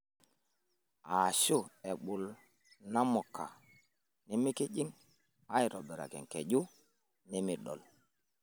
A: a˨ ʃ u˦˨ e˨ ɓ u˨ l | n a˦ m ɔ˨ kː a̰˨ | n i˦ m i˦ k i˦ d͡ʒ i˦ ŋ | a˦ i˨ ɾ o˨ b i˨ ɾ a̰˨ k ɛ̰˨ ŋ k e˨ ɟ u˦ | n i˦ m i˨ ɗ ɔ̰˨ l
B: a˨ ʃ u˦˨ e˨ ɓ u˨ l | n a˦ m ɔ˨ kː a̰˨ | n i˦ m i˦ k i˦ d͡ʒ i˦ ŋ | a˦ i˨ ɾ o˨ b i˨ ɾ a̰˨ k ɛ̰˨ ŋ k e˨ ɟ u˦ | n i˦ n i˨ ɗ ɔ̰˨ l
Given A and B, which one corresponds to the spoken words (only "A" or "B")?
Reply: A